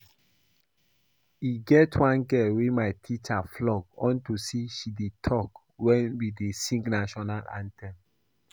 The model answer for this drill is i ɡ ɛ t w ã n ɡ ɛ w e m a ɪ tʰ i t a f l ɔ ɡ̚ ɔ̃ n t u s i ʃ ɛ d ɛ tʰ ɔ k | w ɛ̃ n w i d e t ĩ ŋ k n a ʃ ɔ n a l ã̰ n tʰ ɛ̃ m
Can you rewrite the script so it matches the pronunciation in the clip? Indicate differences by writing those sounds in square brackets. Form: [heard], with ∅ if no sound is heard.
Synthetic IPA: i ɡ ɛ t w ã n ɡ ɛ w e m a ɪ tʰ i [t͡ʃ] a f l ɔ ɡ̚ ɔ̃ n t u s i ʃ [i] d [e] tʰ ɔ k | w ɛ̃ n w i d e [s] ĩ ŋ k n a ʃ ɔ n a l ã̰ n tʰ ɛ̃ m

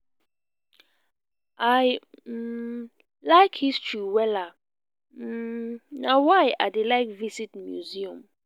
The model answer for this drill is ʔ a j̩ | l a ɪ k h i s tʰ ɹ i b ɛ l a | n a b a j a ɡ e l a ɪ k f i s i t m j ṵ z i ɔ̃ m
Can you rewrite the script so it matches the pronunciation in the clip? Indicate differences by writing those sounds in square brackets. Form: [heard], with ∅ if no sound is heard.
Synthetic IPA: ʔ a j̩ | l a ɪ k h i s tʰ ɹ i [w] ɛ l a | n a [w] a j a [d] e l a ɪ k [v] i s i t m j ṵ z i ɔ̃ m

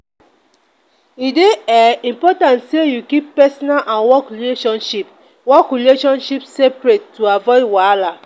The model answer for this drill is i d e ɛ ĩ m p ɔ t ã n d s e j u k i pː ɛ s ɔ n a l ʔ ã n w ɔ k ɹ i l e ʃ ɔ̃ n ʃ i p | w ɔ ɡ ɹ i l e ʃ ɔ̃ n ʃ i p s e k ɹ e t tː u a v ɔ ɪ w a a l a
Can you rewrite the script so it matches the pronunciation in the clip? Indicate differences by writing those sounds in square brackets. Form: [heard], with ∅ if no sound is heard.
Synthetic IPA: i d e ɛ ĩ m p ɔ t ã n [t] s e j u k i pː ɛ s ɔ n a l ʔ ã n w ɔ k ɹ i l e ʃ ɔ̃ n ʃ i p | w ɔ [k] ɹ i l e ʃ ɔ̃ n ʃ i p s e [p] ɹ e t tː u a v ɔ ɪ w a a l a

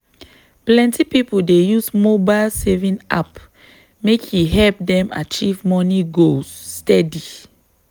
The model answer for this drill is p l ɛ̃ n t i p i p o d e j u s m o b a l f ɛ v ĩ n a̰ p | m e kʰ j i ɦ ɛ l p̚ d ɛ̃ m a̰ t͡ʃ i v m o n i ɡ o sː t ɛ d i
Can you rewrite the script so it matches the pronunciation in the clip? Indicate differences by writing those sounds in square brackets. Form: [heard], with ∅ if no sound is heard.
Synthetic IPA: p l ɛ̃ n t i p i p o d e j u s m o b a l [s] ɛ v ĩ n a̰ p | m e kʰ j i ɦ ɛ l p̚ d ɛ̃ m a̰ t͡ʃ i v m [ɔ] n i ɡ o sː t ɛ d i

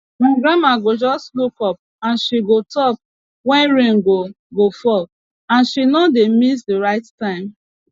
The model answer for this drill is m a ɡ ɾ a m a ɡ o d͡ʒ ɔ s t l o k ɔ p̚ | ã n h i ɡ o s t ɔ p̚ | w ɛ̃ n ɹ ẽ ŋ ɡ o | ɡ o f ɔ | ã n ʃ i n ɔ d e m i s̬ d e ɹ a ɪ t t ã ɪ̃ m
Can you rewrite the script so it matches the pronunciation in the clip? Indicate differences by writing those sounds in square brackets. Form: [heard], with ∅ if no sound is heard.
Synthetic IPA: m a ɡ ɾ a m a ɡ o d͡ʒ ɔ s t l [u] k ɔ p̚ | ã n [ʃ] i ɡ o [∅] t ɔ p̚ | w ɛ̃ n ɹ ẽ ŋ ɡ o | ɡ o f ɔ | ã n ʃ i n ɔ d e m i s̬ d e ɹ a ɪ t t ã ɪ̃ m

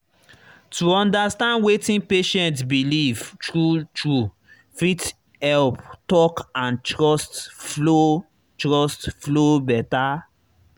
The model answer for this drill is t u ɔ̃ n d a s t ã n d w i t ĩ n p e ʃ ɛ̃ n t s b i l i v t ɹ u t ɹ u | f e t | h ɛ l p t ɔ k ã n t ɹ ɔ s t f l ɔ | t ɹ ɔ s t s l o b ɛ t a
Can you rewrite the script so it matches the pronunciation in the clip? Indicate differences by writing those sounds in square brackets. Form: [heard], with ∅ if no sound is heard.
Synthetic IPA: t u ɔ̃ n d a s t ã n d w [e] t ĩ n p e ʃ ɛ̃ n t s b i l i v t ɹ u t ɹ u | f [i] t | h ɛ l p t ɔ k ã n t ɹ ɔ s t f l [o] | t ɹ ɔ s t [f] l o b ɛ t a

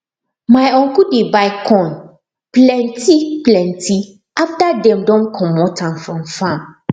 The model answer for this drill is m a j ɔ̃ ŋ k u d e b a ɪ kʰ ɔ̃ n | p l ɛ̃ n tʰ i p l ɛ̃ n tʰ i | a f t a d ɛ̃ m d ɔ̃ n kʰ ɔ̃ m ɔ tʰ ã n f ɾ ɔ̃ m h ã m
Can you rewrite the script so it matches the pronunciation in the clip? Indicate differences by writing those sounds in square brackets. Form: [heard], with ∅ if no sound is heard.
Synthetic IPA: m a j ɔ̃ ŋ k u d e b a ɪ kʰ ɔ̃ n | p l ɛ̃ n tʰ i p l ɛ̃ n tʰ i | a f t a d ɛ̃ m d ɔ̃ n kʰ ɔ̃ m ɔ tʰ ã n f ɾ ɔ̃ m [f] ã m

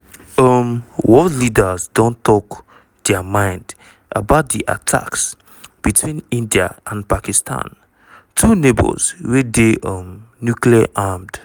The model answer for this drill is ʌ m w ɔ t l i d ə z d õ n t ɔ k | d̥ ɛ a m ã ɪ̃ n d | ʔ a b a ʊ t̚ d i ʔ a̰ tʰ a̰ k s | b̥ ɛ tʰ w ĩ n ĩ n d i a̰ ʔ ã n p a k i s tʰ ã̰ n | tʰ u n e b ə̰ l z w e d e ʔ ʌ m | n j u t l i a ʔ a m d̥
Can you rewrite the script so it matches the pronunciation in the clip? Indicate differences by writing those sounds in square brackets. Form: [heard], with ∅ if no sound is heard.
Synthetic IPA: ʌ m w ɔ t l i d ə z d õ n t ɔ k | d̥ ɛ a m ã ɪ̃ n d | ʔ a b a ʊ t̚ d i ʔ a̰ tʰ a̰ k s | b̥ [i] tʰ w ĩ n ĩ n d i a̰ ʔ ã n p a k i s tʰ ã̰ n | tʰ u n e b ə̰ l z w e d e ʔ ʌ m | n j u [k] l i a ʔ a m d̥

